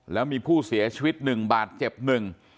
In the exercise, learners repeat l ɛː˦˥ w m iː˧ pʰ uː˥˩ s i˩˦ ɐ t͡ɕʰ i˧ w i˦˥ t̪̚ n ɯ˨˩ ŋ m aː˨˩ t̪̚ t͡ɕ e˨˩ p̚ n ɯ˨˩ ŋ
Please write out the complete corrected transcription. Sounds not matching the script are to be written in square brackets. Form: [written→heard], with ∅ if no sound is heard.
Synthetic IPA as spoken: l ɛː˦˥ w m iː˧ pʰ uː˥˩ s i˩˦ ɐ t͡ɕʰ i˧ w i˦˥ t̪̚ n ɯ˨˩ ŋ [m→b] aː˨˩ t̪̚ t͡ɕ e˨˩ p̚ n ɯ˨˩ ŋ